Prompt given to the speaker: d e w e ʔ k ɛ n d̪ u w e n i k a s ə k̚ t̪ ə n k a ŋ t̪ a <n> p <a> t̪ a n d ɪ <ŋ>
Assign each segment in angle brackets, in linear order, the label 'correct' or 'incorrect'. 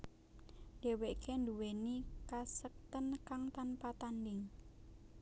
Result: correct, correct, correct

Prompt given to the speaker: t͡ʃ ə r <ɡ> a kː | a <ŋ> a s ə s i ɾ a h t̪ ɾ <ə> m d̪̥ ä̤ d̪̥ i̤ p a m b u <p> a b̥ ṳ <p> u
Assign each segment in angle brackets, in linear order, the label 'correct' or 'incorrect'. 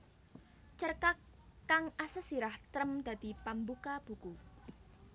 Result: incorrect, correct, correct, incorrect, incorrect

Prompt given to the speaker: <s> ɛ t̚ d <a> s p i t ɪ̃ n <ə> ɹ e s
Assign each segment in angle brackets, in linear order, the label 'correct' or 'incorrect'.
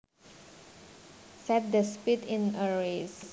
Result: correct, incorrect, correct

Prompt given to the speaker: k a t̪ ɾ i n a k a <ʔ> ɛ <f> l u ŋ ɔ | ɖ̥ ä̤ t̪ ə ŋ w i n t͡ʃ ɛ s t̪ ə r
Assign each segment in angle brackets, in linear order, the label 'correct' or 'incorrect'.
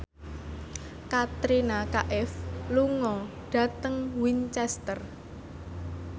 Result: correct, correct

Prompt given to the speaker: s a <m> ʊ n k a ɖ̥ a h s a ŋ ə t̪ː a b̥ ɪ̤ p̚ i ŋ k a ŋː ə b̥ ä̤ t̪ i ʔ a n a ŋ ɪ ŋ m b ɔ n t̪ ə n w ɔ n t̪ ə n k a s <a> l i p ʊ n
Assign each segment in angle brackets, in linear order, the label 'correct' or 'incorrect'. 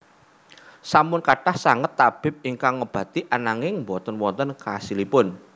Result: correct, incorrect

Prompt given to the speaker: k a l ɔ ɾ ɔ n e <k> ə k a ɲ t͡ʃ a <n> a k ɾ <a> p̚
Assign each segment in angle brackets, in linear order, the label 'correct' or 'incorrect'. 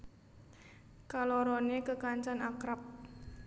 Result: correct, correct, correct

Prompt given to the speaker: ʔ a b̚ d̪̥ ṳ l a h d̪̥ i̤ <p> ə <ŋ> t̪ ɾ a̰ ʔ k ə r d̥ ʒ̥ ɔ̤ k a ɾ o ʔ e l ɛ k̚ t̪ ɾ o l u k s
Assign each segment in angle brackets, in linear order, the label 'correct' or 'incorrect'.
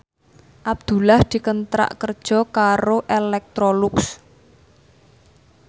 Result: incorrect, incorrect

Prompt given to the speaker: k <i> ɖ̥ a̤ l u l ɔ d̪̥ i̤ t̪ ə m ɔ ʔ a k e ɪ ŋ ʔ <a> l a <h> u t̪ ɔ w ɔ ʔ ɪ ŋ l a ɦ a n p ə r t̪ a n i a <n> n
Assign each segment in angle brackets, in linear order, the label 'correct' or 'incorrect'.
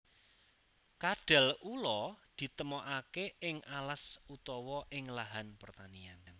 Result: incorrect, correct, incorrect, correct

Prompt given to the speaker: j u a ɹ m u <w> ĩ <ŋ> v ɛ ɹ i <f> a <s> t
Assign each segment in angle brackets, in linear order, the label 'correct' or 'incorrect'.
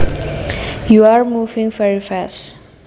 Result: incorrect, correct, correct, correct

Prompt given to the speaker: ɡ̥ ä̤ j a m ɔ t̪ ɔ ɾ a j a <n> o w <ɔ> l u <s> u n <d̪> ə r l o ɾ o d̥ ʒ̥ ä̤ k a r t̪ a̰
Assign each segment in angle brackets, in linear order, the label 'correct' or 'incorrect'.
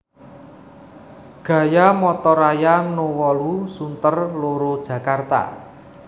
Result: correct, correct, correct, incorrect

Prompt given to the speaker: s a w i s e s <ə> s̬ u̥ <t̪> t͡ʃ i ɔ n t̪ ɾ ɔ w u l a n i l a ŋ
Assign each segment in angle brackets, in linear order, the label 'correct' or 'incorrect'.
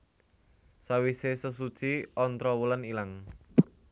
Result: correct, incorrect

